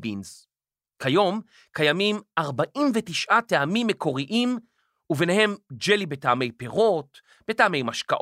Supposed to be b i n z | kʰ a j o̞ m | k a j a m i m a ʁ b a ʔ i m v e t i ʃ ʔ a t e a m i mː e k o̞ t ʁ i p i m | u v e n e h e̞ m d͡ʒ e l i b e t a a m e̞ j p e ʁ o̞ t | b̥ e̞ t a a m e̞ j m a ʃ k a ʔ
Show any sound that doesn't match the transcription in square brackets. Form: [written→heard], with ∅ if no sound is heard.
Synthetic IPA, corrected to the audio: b i n z | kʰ a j o̞ m | k a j a m i m a ʁ b a ʔ i m v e t i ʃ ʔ a t e a m i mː e k o̞ [t→∅] ʁ i [p→ʔ] i m | u v e n e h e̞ m d͡ʒ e l i b e t a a m e̞ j p e ʁ o̞ t | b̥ e̞ t a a m e̞ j m a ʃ k a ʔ